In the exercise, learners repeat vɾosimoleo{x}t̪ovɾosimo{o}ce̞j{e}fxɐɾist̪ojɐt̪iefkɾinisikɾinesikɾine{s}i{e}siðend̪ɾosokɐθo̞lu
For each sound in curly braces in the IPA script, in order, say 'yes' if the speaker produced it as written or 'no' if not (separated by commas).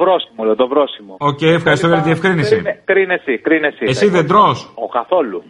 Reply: no, yes, yes, yes, yes